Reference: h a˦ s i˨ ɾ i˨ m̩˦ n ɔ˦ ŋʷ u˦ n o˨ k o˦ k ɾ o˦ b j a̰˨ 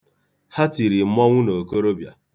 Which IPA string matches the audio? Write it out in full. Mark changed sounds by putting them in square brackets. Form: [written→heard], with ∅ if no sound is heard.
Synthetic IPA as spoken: h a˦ [s→t] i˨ ɾ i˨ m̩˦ [n→m] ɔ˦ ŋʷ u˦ n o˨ k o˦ [k→∅] ɾ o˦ b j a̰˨